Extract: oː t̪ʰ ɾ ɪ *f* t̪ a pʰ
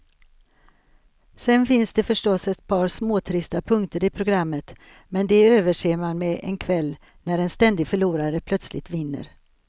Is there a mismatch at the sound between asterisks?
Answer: yes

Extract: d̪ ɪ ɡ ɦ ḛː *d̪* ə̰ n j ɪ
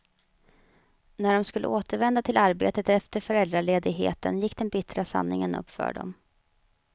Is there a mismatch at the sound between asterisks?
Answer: yes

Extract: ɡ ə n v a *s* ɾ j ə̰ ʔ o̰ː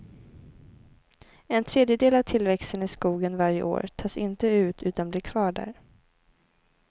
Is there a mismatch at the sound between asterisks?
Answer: yes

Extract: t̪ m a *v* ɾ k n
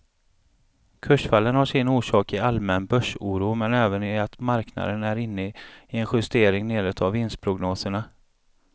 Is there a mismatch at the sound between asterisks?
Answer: yes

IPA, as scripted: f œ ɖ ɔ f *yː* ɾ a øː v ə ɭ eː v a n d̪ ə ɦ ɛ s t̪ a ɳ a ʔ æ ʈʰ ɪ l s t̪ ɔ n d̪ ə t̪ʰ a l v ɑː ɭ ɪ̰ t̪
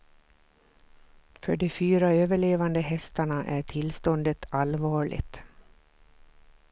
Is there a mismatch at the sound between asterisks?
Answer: no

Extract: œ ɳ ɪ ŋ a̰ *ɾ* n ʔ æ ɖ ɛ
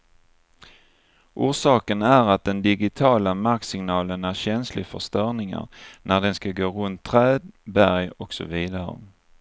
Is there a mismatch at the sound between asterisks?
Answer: no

